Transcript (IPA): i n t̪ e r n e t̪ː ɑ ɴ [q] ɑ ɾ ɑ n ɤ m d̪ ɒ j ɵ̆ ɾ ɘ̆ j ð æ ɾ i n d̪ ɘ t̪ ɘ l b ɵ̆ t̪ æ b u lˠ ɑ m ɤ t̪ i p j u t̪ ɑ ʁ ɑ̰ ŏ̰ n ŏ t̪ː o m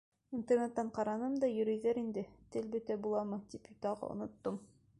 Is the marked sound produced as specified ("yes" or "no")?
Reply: yes